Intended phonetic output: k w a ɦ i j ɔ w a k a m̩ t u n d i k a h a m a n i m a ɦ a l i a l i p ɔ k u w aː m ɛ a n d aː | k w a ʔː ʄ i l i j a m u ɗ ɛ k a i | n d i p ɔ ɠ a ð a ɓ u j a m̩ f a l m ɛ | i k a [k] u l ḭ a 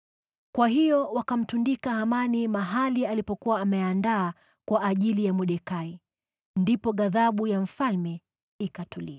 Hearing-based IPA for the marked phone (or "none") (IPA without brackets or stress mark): t